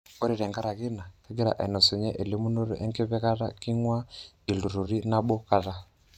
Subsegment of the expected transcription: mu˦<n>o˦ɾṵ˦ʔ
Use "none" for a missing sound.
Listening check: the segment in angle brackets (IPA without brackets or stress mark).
n